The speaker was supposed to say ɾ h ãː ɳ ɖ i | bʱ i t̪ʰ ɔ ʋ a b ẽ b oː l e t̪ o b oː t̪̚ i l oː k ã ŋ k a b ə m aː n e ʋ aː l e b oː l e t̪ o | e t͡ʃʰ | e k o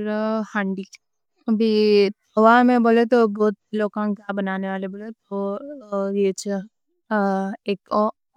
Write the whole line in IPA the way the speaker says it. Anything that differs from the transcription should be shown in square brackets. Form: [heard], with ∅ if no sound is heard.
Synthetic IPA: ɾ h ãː ɳ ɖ i | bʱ i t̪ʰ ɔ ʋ a [m] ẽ b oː l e t̪ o b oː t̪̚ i l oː k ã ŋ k a b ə [n] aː n e ʋ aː l e b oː l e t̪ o | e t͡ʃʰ | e k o